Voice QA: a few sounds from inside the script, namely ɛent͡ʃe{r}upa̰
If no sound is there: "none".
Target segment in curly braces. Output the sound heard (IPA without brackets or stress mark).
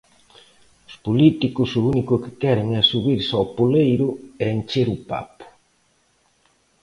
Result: ɾ